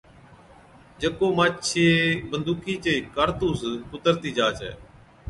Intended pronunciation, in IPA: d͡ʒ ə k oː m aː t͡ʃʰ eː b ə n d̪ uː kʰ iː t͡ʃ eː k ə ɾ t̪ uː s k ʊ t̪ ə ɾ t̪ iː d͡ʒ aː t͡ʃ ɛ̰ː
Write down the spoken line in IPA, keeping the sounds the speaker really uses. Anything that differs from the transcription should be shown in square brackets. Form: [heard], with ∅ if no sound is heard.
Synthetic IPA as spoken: d͡ʒ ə k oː m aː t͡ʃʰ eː b ə n d̪ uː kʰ iː t͡ʃ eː k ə ɾ t̪ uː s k ʊ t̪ ə ɾ t̪ iː d͡ʒ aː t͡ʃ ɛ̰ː